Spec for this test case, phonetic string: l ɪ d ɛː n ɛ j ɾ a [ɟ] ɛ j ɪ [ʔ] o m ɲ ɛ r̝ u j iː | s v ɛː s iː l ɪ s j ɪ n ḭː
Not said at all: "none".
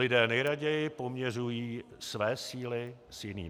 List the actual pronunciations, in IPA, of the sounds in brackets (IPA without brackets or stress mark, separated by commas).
ɟ, p